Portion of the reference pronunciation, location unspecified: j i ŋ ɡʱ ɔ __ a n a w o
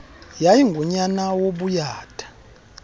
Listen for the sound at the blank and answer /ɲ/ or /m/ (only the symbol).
ɲ